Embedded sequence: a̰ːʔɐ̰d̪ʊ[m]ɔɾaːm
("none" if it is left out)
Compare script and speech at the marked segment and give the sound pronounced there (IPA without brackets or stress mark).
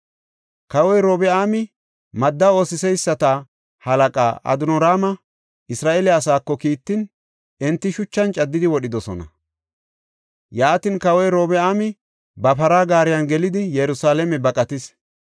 n